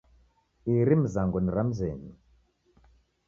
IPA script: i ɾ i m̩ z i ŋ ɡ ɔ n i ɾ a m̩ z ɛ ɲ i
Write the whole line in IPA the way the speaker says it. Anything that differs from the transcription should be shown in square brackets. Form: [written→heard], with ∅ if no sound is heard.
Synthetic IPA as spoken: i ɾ i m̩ z [i→a] ŋ ɡ ɔ n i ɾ a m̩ z ɛ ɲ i